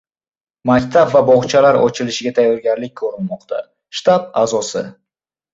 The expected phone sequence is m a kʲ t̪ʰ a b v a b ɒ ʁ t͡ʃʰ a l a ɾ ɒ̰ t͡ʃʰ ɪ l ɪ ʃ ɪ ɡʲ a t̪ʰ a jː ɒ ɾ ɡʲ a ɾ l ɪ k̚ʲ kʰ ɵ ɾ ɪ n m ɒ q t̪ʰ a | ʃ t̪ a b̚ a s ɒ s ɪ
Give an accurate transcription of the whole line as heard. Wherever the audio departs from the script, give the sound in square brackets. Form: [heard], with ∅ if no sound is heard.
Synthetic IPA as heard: m a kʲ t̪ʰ a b v a b ɒ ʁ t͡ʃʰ a l a ɾ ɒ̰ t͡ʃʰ ɪ l ɪ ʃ ɪ ɡʲ a t̪ʰ a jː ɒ ɾ ɡʲ a ɾ l ɪ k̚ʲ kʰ ɵ ɾ ɪ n m ɒ q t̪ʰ a | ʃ t̪ a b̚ a [z] ɒ s ɪ